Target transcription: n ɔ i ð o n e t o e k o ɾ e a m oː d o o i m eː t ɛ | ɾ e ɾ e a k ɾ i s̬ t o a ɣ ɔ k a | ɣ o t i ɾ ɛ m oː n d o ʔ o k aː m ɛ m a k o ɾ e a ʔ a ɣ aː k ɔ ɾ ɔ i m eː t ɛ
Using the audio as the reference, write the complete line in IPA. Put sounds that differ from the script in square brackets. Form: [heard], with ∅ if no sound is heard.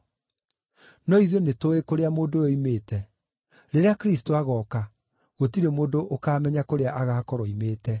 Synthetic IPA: n ɔ i ð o n e t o e k o ɾ e a m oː d o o i m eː t ɛ | ɾ e ɾ e a k ɾ i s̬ t o a ɣ ɔ k a | ɣ o t i ɾ [e] m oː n d o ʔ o k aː m ɛ [ɲ] a k o ɾ e a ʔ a ɣ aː k ɔ ɾ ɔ i m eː t ɛ